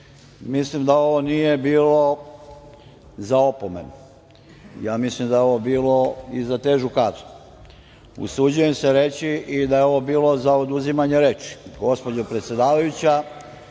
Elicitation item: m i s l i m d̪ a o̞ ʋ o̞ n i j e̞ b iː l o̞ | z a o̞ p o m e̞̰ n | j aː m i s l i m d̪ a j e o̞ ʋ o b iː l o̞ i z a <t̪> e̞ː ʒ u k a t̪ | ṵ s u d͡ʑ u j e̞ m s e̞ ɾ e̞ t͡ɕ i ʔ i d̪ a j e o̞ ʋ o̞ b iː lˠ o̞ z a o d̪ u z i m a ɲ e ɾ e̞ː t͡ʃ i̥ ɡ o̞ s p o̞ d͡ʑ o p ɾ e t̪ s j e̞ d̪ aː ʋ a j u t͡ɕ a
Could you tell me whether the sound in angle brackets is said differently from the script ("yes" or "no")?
no